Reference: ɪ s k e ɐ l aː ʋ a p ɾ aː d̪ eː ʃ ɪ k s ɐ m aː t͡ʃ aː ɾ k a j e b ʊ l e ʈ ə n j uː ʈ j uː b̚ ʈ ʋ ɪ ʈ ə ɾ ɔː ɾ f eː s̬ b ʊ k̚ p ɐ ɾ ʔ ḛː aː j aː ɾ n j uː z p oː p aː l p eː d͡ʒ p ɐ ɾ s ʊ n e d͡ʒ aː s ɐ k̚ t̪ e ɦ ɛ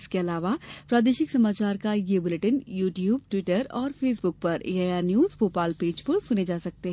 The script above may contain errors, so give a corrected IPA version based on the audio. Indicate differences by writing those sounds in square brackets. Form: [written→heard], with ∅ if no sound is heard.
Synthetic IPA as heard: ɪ s k e ɐ l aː ʋ a p ɾ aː d̪ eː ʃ ɪ k s ɐ m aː t͡ʃ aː ɾ k a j e b ʊ l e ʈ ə n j uː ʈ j uː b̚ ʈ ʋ ɪ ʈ ə ɾ ɔː ɾ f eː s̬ b ʊ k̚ p ɐ ɾ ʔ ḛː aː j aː ɾ n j uː z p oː p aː l p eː d͡ʒ p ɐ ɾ s ʊ n e d͡ʒ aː s ɐ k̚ t̪ e ɦ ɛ